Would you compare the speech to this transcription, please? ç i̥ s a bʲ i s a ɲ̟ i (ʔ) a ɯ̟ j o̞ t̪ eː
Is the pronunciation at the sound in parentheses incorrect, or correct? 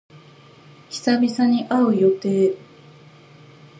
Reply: correct